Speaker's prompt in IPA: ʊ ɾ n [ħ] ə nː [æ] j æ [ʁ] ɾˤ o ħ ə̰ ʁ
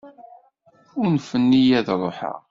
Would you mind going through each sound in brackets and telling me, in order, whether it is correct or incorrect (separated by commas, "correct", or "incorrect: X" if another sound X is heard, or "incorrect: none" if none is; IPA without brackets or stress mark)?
incorrect: f, incorrect: i, incorrect: ð